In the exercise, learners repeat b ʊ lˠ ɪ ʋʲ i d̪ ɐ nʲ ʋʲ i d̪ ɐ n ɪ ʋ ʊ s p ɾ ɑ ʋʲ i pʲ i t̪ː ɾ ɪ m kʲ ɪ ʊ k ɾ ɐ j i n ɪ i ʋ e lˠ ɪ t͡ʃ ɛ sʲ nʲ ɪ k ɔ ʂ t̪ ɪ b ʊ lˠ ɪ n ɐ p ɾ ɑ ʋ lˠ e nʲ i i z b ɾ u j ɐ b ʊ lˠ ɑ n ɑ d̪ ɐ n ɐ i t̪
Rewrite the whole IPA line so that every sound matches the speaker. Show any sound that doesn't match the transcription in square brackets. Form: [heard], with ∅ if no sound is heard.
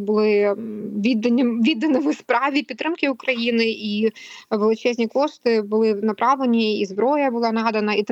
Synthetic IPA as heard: b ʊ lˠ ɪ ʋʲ i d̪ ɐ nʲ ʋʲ i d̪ ɐ n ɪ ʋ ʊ s p ɾ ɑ ʋʲ i pʲ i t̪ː ɾ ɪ m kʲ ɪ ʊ k ɾ ɐ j i n ɪ i ʋ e lˠ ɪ t͡ʃ ɛ [zʲ] nʲ [i] k ɔ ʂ t̪ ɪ b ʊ lˠ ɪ n ɐ p ɾ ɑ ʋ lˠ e nʲ i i z b ɾ [ɔ] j ɐ b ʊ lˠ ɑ n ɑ d̪ ɐ n ɐ i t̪